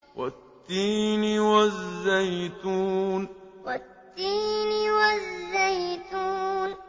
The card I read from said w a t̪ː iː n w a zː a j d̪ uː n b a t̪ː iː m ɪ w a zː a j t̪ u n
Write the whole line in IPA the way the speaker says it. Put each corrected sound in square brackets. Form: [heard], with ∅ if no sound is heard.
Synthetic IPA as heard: w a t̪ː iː n w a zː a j [t̪] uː n [w] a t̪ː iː [n] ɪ w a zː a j t̪ u n